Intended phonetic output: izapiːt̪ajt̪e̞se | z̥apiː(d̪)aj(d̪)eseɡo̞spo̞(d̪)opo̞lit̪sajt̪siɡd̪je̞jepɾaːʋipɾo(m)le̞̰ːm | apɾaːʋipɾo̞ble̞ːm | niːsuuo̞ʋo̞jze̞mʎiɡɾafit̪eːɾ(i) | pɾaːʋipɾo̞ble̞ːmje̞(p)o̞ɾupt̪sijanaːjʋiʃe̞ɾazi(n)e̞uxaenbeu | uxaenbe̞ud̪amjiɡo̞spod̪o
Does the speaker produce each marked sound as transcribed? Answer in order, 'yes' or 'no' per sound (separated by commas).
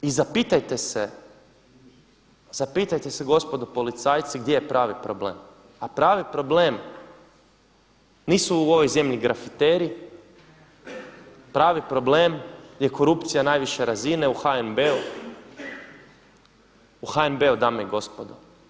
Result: no, no, yes, no, yes, no, yes